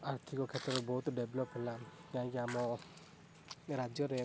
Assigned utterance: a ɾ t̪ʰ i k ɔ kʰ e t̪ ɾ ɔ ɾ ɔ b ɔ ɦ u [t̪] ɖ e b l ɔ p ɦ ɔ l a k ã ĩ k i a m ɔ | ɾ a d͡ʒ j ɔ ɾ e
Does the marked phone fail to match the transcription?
no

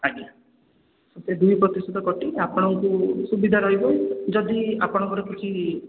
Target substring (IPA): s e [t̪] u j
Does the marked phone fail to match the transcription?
yes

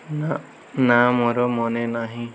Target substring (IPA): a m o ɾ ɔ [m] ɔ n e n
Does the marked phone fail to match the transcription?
no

